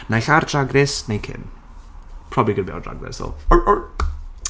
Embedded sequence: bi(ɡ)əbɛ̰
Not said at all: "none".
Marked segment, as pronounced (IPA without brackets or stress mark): ɡ